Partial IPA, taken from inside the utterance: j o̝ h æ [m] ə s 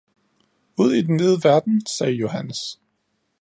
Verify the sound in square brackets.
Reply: incorrect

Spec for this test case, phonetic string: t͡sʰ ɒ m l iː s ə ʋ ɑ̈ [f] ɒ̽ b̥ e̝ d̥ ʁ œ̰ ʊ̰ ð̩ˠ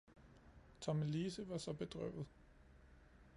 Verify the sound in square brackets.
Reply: incorrect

